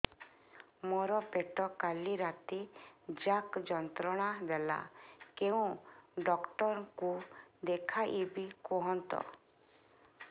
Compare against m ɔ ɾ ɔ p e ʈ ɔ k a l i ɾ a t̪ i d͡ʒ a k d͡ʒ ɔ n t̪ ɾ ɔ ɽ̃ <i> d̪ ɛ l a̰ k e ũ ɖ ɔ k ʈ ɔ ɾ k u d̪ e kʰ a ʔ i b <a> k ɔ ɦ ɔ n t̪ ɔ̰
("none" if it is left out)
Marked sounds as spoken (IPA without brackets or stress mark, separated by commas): a, i